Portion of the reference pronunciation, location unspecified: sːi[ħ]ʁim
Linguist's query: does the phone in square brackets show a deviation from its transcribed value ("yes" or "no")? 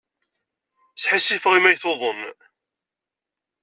yes